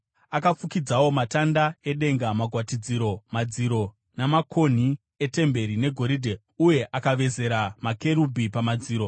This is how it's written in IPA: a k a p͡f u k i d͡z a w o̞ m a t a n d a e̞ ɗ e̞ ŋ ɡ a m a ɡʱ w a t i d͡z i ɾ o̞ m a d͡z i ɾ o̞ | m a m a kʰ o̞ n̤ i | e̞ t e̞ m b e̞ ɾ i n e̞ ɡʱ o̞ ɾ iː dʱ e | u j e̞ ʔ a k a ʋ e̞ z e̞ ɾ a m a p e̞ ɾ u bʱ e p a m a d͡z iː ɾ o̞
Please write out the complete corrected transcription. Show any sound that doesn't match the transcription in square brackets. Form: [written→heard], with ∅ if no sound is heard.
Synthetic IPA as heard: a k a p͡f u k i d͡z a w o̞ m a t a n d a e̞ ɗ e̞ ŋ ɡ a m a ɡʱ w a t i d͡z i ɾ o̞ m a d͡z i ɾ o̞ | [m→n] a m a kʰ o̞ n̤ i | e̞ t e̞ m b e̞ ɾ i n e̞ ɡʱ o̞ ɾ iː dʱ e | u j e̞ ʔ a k a ʋ e̞ z e̞ ɾ a m a [p→k] e̞ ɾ u bʱ [e→i] p a m a d͡z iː ɾ o̞

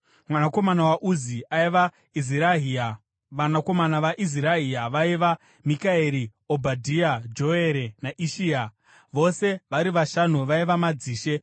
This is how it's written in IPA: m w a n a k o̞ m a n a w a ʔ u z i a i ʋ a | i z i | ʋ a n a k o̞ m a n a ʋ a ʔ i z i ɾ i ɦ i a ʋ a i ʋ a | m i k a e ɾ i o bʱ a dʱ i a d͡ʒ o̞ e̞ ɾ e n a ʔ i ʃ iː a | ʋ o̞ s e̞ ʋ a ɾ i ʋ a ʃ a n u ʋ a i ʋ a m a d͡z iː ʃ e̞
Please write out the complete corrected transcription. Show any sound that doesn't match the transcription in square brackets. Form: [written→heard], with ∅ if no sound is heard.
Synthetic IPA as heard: m w a n a k o̞ m a n a w a ʔ u z i a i ʋ a | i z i | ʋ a n a k o̞ m a n a ʋ a ʔ i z i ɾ [i→a] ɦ i a ʋ a i ʋ a | m i k a e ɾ i o bʱ a dʱ i a d͡ʒ o̞ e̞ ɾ e n a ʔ i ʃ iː a | ʋ o̞ s e̞ ʋ a ɾ i ʋ a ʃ a n u ʋ a i ʋ a m a d͡z iː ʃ e̞

